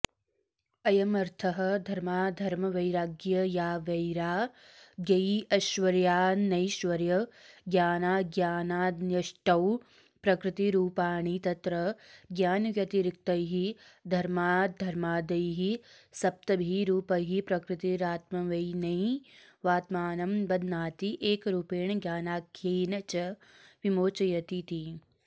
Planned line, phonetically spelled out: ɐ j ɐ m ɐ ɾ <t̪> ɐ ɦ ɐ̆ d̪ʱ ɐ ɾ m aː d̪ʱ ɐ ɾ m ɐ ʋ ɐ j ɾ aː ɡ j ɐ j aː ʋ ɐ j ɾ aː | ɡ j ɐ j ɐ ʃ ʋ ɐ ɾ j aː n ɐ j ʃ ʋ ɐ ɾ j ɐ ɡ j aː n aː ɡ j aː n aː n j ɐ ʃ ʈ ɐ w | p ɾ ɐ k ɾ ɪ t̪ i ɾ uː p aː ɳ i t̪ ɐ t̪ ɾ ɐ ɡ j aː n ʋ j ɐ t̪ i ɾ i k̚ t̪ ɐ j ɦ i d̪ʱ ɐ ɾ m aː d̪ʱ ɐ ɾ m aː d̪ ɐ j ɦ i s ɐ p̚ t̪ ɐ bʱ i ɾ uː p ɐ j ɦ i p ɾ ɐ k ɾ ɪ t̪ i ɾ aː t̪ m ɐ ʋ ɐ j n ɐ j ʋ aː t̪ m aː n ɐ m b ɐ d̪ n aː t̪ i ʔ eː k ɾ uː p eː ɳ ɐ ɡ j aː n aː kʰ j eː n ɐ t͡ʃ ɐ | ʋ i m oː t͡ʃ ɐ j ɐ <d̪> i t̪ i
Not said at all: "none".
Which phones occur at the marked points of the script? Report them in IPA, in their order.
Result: t̪ʰ, t̪

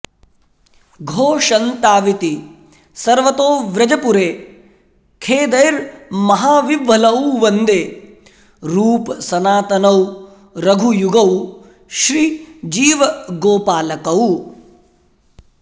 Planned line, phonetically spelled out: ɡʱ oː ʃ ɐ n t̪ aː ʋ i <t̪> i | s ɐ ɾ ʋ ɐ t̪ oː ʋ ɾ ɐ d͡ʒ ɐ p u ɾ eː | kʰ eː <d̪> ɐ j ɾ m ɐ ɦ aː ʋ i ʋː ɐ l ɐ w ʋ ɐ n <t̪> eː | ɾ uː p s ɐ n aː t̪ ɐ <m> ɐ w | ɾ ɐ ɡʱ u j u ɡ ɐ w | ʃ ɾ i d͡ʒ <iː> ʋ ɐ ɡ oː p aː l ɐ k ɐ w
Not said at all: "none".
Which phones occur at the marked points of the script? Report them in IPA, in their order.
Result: t̪, d̪, d̪, n, iː

